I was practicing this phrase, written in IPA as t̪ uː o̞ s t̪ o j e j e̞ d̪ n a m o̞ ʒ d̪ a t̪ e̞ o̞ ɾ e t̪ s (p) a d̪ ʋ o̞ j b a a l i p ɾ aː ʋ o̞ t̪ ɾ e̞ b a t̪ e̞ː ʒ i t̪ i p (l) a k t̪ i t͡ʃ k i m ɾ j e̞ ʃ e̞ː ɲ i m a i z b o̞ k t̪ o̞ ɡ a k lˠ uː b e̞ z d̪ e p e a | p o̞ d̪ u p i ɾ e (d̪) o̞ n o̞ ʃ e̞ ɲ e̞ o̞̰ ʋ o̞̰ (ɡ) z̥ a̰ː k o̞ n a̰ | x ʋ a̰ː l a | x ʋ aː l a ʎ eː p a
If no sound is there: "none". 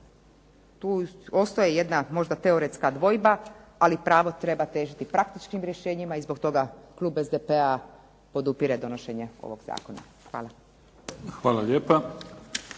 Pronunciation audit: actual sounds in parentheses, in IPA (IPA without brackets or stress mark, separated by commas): k, ɾ, d̪, ɡ